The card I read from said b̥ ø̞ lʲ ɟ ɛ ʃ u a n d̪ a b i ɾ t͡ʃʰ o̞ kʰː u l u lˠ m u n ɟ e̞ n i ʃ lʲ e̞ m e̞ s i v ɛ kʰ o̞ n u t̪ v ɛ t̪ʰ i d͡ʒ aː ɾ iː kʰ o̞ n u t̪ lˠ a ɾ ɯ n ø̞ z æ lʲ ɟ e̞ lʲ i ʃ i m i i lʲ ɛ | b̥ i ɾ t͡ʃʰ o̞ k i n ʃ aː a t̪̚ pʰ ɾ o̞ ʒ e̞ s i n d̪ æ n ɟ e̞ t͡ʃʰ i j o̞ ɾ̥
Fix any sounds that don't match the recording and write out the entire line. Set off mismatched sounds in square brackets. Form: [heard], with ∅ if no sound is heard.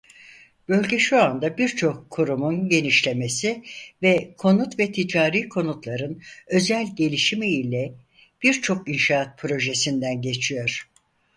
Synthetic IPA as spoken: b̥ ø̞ lʲ ɟ ɛ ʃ u a n d̪ a b i ɾ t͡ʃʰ o̞ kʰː u [ɾ] u [∅] m u n ɟ e̞ n i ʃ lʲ e̞ m e̞ s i v ɛ kʰ o̞ n u t̪ v ɛ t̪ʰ i d͡ʒ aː ɾ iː kʰ o̞ n u t̪ lˠ a ɾ ɯ n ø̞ z æ lʲ ɟ e̞ lʲ i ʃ i m i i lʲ ɛ | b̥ i ɾ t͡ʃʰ o̞ k i n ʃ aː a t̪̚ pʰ ɾ o̞ ʒ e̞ s i n d̪ æ n ɟ e̞ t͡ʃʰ i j o̞ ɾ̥